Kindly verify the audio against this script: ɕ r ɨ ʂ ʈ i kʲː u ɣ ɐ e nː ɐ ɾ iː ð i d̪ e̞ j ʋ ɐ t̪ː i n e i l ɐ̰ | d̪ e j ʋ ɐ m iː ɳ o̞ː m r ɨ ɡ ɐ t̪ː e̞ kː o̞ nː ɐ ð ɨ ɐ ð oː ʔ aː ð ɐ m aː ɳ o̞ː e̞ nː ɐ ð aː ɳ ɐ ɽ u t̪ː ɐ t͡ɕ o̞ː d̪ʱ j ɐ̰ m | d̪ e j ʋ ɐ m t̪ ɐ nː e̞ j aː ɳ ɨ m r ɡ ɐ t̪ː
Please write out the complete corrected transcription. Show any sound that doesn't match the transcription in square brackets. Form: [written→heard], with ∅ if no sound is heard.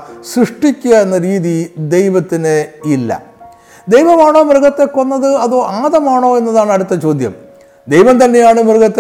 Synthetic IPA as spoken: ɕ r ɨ ʂ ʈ i kʲː u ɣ ɐ e nː ɐ ɾ iː ð i d̪ e̞ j ʋ ɐ t̪ː i n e i [l→lː] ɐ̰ | d̪ e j ʋ ɐ m [iː→aː] ɳ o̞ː m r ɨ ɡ ɐ t̪ː e̞ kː o̞ nː ɐ ð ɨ ɐ ð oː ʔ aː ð ɐ m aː ɳ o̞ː e̞ nː ɐ ð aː ɳ ɐ ɽ u t̪ː ɐ t͡ɕ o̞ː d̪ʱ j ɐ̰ m | d̪ e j ʋ ɐ m t̪ ɐ nː e̞ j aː ɳ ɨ m r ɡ ɐ t̪ː